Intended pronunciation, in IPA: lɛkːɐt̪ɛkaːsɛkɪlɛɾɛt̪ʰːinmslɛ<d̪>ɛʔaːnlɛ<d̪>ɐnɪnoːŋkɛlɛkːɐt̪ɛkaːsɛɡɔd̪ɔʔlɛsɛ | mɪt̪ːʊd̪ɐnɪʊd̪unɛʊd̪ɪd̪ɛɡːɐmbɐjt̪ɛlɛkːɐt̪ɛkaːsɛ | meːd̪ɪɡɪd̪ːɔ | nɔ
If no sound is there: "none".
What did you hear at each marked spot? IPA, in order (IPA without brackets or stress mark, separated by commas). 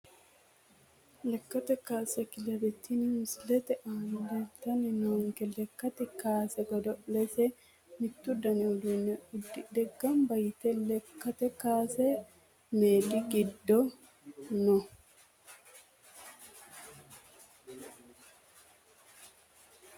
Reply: t̪, t̪